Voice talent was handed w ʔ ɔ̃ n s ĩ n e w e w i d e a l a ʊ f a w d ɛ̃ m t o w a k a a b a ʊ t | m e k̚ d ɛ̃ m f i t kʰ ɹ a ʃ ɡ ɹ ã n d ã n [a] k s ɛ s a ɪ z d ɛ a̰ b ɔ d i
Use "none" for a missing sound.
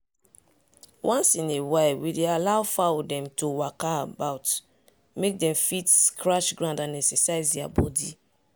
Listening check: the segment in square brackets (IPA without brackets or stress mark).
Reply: ɛ